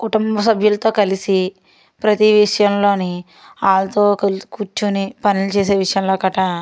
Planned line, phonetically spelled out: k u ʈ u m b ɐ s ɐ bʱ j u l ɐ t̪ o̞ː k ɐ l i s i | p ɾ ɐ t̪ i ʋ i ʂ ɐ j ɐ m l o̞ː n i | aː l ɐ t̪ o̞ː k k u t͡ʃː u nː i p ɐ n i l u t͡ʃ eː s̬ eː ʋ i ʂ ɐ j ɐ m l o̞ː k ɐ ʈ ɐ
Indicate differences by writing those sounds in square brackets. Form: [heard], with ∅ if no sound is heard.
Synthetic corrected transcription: k u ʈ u m b ɐ s ɐ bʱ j u l ɐ t̪ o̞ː k ɐ l i s i | p ɾ ɐ t̪ i ʋ i ʂ ɐ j ɐ m l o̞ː n i | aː l ɐ t̪ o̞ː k k u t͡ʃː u [n] i p ɐ n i l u t͡ʃ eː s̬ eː ʋ i ʂ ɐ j ɐ m l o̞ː k ɐ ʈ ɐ